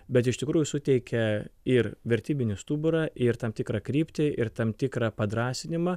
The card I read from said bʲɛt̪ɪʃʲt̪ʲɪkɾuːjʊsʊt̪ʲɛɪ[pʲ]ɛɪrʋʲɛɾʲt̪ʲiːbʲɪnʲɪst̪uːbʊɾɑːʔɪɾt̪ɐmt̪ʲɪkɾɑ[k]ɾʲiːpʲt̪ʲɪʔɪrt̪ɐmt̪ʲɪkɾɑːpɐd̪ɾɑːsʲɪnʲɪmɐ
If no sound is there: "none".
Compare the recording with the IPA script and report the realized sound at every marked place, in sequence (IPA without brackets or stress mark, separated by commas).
kʲ, k